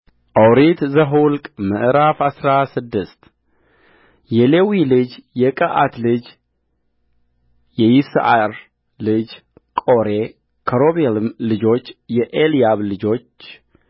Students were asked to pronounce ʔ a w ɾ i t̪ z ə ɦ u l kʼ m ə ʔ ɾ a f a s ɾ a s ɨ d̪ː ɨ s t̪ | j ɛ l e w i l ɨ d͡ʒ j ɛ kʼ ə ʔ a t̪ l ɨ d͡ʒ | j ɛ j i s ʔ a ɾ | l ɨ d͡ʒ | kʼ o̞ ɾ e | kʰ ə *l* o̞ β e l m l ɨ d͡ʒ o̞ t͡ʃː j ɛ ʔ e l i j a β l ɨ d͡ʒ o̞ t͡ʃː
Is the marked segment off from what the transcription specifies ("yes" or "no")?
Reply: yes